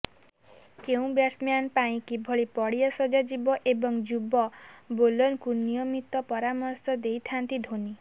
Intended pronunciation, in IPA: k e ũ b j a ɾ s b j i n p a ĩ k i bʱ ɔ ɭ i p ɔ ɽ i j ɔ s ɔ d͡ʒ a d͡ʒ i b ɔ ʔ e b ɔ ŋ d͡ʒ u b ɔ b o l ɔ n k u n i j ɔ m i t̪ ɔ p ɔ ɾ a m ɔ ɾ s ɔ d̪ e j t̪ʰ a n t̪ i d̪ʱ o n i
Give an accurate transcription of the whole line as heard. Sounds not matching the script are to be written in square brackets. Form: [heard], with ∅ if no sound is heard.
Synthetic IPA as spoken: k e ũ b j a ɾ s [m] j [a] n p a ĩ k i bʱ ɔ ɭ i p ɔ ɽ i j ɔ s ɔ d͡ʒ a d͡ʒ i b ɔ ʔ e b ɔ ŋ d͡ʒ u b ɔ b o l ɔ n k u n i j ɔ m i t̪ ɔ p ɔ ɾ a m ɔ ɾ s ɔ d̪ e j t̪ʰ a n t̪ i d̪ʱ o n i